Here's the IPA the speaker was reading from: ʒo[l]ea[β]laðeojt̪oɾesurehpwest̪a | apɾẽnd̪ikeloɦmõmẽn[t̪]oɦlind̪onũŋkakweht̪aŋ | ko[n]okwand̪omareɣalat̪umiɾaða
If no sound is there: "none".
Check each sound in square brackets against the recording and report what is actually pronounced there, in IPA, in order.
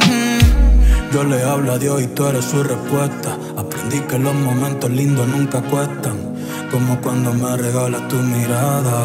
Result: l, β, t̪, m

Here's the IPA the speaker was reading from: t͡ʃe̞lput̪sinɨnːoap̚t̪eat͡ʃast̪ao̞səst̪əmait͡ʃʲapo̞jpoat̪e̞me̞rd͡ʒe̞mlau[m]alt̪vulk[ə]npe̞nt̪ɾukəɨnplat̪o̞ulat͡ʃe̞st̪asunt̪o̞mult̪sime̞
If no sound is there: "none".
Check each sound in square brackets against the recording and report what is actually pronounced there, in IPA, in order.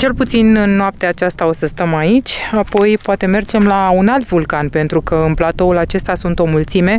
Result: n, a

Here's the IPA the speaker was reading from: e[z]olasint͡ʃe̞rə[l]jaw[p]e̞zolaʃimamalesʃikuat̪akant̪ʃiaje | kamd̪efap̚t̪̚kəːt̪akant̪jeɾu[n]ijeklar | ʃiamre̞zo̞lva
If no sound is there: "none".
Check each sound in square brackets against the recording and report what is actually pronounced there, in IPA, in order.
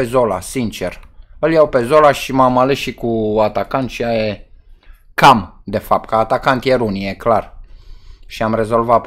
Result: z, l, p, n

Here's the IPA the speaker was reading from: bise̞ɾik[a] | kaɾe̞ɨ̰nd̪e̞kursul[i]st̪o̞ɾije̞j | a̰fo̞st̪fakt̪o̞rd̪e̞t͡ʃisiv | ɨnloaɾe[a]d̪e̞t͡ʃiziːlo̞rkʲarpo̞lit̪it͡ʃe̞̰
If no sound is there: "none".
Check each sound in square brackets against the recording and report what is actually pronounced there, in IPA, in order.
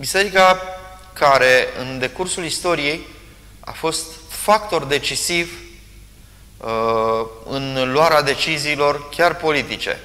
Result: a, i, a

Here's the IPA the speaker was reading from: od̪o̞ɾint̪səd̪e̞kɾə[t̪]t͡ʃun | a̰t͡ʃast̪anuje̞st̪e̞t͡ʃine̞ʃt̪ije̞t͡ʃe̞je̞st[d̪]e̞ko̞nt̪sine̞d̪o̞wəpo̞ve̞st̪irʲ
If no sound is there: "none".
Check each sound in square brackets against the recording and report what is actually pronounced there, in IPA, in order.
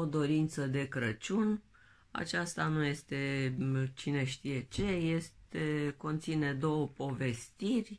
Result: none, t̪

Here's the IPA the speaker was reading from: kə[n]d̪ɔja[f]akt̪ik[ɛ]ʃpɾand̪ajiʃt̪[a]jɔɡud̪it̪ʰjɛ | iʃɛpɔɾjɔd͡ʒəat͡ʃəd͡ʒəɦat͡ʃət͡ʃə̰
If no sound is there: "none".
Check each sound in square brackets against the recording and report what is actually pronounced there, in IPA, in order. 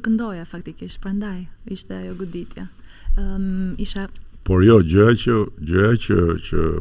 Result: n, f, i, ɛ

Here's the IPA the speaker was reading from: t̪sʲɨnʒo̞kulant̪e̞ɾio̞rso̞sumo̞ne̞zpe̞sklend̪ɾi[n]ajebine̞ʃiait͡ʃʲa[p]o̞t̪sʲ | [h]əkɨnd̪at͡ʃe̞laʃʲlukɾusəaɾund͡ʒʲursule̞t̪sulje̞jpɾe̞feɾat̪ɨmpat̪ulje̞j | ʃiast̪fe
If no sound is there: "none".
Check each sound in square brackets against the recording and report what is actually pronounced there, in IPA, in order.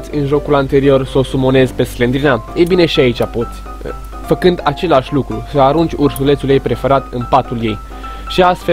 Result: n, p, f

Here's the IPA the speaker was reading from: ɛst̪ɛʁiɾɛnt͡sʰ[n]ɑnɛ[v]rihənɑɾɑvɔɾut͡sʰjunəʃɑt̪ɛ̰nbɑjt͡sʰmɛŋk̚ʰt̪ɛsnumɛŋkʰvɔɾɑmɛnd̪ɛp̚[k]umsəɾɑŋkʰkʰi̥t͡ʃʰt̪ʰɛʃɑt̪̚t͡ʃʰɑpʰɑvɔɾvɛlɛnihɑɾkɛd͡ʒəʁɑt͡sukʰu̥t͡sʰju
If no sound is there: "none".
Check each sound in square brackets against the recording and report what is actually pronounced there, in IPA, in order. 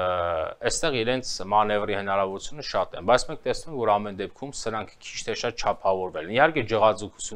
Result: m, v, kʰ

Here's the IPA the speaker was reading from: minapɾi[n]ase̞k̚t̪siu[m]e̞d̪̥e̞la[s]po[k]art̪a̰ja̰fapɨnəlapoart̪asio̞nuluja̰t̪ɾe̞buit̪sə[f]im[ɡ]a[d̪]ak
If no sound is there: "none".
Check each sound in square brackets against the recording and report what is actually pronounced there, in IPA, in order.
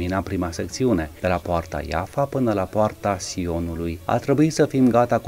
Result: m, n, none, none, f, ɡ, t̪

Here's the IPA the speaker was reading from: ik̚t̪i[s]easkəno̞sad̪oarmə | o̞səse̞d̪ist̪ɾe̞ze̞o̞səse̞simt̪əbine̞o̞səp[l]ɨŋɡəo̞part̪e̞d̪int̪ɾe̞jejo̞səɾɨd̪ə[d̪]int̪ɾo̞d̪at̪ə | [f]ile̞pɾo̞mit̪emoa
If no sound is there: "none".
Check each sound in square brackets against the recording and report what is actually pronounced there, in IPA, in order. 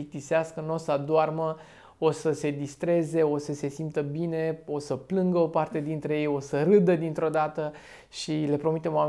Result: s, l, d̪, ʃ

